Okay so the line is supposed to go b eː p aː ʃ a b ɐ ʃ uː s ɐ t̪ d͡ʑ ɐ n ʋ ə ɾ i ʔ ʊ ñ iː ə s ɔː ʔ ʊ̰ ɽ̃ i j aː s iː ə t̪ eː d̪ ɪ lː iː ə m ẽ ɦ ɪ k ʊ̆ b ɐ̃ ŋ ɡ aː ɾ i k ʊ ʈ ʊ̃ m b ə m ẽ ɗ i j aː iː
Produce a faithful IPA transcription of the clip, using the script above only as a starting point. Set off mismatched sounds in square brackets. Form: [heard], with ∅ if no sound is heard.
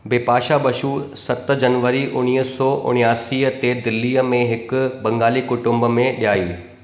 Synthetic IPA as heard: b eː p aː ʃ a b ɐ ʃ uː s ɐ t̪ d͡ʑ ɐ n ʋ ə ɾ i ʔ ʊ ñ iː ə s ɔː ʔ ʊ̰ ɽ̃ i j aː s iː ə t̪ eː d̪ ɪ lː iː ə m ẽ ɦ ɪ k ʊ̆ b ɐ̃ ŋ ɡ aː [l] i k ʊ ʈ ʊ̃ m b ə m ẽ ɗ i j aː iː